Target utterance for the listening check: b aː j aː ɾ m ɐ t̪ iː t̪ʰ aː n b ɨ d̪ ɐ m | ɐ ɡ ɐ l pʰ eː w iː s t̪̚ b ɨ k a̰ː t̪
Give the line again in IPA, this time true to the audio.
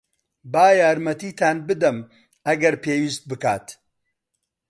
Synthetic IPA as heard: b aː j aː ɾ m ɐ t̪ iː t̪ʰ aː n b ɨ d̪ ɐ m | ɐ ɡ ɐ ɾ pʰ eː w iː s t̪̚ b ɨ k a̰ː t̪